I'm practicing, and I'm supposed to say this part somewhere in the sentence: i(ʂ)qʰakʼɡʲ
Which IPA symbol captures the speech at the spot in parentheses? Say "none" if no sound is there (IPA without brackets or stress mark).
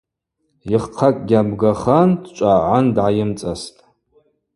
χ